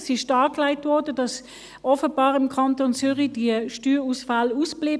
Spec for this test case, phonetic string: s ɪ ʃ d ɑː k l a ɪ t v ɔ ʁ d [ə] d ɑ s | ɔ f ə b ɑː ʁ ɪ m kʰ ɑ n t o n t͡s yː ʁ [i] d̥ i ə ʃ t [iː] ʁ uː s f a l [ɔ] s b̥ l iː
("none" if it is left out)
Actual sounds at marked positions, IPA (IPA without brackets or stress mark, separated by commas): ə, i, yː, u